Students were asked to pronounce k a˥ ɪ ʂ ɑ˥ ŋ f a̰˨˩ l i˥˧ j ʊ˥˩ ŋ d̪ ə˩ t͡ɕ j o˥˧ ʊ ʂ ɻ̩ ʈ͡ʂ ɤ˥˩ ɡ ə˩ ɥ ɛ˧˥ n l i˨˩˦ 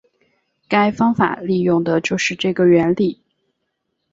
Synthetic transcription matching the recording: k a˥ ɪ f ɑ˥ ŋ f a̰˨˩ l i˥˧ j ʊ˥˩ ŋ d̪ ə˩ t͡ɕ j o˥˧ ʊ ʂ ɻ̩ ʈ͡ʂ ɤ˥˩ ɡ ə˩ ɥ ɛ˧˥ n l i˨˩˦